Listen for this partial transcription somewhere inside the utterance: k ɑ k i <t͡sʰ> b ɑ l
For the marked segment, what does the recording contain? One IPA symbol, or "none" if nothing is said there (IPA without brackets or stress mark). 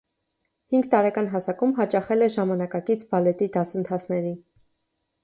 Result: t͡sʰ